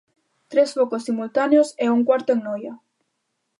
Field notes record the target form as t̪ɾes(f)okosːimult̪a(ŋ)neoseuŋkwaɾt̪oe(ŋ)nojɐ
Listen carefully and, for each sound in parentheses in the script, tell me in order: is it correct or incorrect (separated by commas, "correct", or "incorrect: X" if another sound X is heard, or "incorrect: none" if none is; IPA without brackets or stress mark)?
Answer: correct, incorrect: none, correct